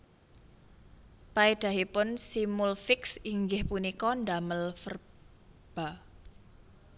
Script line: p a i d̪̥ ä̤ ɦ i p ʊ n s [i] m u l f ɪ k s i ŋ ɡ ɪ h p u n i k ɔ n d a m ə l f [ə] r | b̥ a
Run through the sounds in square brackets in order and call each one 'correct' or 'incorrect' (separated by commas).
correct, correct